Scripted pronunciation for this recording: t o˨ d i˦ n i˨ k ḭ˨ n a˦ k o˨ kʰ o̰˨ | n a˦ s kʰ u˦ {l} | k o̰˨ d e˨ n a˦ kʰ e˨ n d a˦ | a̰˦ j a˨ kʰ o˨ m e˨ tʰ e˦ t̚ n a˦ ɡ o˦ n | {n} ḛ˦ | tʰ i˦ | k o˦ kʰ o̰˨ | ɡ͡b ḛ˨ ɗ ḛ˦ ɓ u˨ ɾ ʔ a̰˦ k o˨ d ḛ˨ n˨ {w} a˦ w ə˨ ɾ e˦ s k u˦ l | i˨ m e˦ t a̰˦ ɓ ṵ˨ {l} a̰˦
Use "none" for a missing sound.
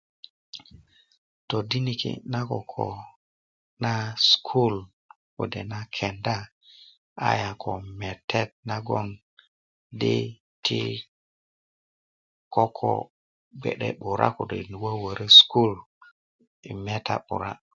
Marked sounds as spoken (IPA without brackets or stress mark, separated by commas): l, d, w, ɾ